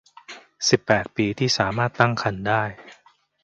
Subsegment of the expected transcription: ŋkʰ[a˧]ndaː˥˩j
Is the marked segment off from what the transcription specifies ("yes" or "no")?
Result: no